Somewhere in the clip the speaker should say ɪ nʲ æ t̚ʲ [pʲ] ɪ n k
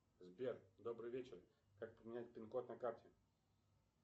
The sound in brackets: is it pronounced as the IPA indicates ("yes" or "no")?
yes